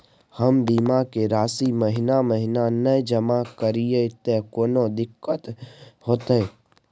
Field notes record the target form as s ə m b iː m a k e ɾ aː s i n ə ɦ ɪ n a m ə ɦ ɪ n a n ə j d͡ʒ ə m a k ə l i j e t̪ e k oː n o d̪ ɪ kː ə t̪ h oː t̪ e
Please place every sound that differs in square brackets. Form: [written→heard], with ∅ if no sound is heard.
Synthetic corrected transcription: [s→h] ə m b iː m a k e ɾ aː s i [n→m] ə ɦ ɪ n a m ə ɦ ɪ n a n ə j d͡ʒ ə m a k ə [l→ɾ] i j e t̪ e k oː n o d̪ ɪ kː ə t̪ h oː t̪ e